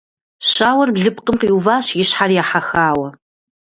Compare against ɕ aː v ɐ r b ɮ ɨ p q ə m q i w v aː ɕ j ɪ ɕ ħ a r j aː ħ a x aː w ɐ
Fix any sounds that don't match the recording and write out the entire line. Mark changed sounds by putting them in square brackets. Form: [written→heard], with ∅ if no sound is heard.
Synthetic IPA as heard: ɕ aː [v→w] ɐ r b ɮ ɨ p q ə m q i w v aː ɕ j ɪ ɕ ħ a r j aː ħ a x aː w ɐ